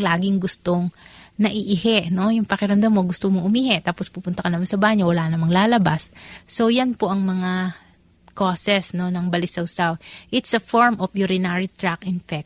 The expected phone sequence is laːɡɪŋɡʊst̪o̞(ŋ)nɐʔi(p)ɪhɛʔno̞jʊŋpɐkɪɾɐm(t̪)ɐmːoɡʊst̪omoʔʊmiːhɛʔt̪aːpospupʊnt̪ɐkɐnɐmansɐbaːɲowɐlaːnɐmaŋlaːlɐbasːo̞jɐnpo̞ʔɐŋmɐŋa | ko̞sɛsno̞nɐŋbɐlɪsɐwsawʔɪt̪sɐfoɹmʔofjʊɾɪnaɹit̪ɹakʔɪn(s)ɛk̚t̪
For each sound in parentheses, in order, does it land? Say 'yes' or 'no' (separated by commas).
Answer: yes, no, no, no